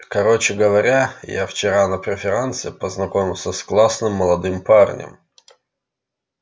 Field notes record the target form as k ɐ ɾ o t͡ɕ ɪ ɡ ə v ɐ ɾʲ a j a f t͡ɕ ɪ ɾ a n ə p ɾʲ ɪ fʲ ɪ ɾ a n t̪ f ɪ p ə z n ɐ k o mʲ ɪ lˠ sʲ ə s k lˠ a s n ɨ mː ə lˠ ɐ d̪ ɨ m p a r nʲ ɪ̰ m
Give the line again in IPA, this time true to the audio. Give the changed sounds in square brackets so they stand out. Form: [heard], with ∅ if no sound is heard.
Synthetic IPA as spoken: k ɐ ɾ o t͡ɕ ɪ ɡ ə v ɐ ɾʲ a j a f t͡ɕ ɪ ɾ a n ə p ɾʲ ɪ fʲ ɪ ɾ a n t̪ [s] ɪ p ə z n ɐ k o mʲ ɪ lˠ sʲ ə s k lˠ a s n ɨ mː ə lˠ ɐ d̪ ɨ m p a r nʲ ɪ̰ m